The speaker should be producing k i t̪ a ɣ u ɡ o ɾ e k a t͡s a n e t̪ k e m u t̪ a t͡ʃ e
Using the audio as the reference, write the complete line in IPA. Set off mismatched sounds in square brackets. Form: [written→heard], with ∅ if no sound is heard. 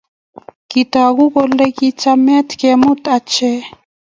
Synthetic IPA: k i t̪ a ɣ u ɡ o [ɾ→l] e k [a→i] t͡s a [n→m] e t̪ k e m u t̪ a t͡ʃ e

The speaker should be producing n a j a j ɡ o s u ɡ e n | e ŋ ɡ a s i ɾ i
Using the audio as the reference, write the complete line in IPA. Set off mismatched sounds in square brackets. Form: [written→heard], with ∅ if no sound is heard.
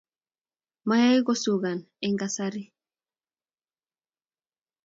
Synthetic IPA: [n→m] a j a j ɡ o s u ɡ [e→a] n | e ŋ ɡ a s [i→a] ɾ i

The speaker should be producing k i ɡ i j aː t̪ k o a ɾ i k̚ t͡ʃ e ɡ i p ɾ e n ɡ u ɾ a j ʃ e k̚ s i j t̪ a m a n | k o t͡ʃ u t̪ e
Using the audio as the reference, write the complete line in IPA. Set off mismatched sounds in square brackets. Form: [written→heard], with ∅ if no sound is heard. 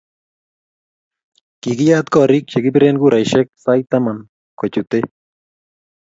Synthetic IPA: k i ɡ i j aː t̪ k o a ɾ i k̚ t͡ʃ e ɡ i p ɾ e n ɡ u ɾ a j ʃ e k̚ s [i→a] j t̪ a m a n | k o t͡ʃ u t̪ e

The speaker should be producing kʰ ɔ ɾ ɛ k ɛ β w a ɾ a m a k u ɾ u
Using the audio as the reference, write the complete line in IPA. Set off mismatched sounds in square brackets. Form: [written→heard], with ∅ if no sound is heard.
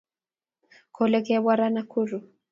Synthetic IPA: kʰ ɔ [ɾ→l] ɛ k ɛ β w a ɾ a [m→n] a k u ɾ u

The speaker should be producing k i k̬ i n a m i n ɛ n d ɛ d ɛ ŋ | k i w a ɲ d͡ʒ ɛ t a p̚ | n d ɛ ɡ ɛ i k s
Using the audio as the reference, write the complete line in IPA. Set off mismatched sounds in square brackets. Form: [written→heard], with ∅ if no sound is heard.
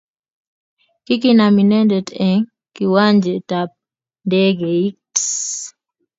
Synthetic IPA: k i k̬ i n a m i n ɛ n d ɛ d ɛ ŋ | k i w a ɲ d͡ʒ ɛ t a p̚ | n d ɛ ɡ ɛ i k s

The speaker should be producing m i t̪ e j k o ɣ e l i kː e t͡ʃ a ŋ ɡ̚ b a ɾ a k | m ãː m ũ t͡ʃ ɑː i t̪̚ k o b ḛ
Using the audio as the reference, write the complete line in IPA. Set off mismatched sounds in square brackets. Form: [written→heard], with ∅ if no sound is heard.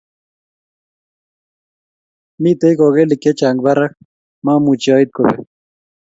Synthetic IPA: m i t̪ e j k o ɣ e l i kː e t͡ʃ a ŋ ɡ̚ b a ɾ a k | m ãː m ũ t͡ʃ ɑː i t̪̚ k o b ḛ

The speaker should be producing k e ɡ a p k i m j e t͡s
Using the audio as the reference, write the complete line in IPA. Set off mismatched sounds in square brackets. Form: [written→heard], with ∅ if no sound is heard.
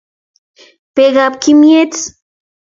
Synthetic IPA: [k→p] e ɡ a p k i m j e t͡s

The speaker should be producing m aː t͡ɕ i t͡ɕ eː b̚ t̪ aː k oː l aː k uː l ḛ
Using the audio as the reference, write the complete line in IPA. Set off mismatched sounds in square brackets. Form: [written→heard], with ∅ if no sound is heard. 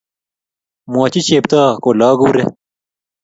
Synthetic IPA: m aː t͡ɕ i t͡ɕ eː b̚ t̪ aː k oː l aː [k→ɡ] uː [l→ɾ] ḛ

